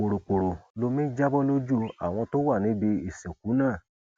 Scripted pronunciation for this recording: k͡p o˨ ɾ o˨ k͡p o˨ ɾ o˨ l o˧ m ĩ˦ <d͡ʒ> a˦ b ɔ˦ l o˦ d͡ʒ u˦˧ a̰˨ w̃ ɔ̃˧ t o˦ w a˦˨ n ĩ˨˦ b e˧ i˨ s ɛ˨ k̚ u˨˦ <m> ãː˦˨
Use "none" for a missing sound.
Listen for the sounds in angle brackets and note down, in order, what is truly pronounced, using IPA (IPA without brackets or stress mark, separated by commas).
d͡ʒ, n